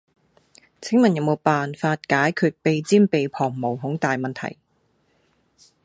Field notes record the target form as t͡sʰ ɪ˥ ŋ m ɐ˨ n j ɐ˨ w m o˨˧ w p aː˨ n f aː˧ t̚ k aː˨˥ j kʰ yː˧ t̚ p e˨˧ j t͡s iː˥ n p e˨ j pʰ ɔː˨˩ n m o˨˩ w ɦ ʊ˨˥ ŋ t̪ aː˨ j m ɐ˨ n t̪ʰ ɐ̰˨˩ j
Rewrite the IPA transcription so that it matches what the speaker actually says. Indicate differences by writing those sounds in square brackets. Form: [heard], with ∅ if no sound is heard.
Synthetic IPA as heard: t͡sʰ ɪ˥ ŋ m ɐ˨ n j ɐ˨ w m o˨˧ w p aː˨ n f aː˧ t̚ k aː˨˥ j kʰ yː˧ t̚ p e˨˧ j t͡s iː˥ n p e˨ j pʰ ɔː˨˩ [ŋ] m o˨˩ w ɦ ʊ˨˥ ŋ t̪ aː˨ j m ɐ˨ n t̪ʰ ɐ̰˨˩ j

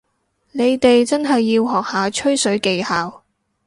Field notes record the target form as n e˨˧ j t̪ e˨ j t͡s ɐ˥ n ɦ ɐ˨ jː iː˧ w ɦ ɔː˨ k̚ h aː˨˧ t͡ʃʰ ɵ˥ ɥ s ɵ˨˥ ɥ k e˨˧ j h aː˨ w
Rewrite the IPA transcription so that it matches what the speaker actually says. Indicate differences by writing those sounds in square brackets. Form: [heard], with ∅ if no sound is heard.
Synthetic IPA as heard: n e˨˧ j t̪ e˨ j t͡s ɐ˥ n ɦ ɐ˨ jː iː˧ w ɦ ɔː˨ k̚ h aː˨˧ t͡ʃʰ ɵ˥ ɥ s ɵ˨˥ ɥ k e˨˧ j h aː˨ w

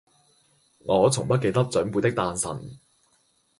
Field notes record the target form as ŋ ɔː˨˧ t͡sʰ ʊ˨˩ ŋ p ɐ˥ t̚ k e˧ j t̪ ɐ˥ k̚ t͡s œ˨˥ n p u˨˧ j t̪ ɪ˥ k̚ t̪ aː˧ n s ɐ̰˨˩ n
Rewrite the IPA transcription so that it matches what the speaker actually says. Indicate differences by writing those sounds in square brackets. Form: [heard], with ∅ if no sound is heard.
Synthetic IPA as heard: ŋ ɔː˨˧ t͡sʰ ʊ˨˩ ŋ p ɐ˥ t̚ k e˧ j t̪ ɐ˥ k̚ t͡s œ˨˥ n p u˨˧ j t̪ ɪ˥ k̚ t̪ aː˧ n s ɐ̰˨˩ n

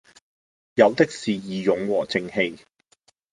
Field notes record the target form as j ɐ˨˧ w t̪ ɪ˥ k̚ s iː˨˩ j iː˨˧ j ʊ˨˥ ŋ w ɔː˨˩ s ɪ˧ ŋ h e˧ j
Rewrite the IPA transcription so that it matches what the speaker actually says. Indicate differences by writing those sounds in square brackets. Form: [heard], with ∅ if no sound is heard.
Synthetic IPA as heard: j ɐ˨˧ w t̪ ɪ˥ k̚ s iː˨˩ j iː˨˧ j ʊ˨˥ ŋ w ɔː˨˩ [t͡s] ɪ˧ ŋ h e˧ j

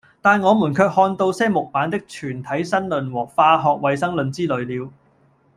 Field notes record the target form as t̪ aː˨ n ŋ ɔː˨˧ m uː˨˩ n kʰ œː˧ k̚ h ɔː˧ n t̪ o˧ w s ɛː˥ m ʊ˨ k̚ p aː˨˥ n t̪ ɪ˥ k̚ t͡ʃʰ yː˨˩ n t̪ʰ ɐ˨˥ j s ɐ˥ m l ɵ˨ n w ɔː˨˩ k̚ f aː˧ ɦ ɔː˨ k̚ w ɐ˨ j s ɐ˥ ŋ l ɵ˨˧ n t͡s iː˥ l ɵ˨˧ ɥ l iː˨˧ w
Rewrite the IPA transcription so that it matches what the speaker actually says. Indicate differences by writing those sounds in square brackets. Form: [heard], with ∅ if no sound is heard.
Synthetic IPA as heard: t̪ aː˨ n ŋ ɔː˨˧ m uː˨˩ n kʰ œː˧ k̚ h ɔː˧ n t̪ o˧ w s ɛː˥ m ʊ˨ k̚ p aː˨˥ n t̪ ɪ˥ k̚ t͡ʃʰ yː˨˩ n t̪ʰ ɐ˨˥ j s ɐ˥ [n] l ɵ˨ n w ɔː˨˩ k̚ f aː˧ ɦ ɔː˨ k̚ w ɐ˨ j s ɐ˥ ŋ l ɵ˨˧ n t͡s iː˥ l ɵ˨˧ ɥ l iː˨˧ w

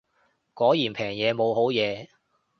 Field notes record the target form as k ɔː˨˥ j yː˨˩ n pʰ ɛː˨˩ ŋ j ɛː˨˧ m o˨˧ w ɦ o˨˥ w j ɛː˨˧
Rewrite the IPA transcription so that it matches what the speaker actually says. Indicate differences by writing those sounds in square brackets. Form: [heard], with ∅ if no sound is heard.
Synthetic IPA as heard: k ɔː˨˥ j [iː˨˩] n pʰ ɛː˨˩ ŋ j ɛː˨˧ m o˨˧ w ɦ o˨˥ w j ɛː˨˧

